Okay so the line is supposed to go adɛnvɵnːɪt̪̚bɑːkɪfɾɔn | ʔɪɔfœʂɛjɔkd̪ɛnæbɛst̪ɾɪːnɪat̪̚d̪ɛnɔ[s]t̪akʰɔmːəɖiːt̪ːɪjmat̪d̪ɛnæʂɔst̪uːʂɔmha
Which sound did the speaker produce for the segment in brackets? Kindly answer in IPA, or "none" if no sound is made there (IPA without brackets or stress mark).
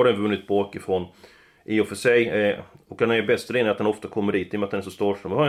f